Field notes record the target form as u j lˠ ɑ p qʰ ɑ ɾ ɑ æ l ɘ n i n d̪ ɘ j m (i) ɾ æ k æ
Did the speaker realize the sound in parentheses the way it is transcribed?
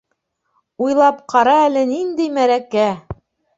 no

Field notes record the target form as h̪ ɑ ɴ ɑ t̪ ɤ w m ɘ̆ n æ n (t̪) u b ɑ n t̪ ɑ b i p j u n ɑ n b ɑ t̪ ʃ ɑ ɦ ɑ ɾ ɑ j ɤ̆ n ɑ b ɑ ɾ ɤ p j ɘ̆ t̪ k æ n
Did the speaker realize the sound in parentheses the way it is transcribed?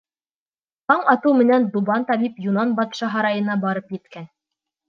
no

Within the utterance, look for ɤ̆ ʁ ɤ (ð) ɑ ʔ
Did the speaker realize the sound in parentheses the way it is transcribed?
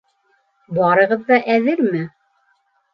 no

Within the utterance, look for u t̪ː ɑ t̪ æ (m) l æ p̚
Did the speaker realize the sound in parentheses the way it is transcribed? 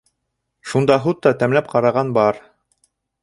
yes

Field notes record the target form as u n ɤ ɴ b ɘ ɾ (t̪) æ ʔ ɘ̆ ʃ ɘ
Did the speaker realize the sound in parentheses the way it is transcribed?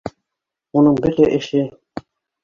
yes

